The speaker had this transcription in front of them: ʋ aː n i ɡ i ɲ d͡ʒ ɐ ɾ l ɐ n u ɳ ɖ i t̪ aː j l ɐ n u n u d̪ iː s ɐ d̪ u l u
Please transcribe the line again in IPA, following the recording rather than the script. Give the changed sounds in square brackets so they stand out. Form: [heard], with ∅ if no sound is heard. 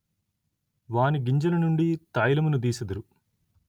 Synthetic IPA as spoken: ʋ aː n i ɡ i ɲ d͡ʒ ɐ [∅] l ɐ n u ɳ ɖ i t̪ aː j l ɐ [m] u n u d̪ iː s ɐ d̪ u [ɾ] u